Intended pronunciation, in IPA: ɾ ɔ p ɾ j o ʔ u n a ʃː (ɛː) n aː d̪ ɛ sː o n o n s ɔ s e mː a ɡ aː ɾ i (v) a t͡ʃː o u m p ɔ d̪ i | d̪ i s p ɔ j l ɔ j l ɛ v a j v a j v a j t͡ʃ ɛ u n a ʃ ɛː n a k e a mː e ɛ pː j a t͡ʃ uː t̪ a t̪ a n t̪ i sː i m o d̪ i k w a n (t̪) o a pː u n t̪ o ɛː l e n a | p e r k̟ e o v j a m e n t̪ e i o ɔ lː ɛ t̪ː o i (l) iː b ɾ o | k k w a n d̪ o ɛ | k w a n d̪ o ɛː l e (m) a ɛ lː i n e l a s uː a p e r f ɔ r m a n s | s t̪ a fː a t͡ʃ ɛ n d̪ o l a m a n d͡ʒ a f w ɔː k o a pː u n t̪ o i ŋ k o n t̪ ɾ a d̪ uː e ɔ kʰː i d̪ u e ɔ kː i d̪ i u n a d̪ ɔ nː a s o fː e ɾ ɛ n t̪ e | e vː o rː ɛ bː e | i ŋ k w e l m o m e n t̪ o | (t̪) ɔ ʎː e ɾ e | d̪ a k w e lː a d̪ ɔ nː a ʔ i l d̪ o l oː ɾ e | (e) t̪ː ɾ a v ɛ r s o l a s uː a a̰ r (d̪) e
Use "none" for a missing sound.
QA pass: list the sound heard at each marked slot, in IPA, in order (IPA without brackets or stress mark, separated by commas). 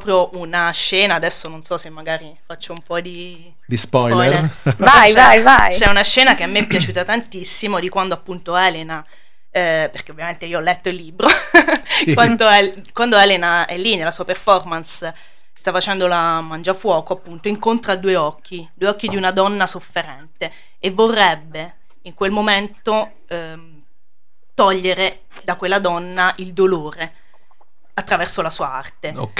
ɛː, f, d̪, lː, n, t̪, a, t̪